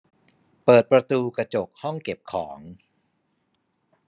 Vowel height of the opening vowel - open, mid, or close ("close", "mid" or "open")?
mid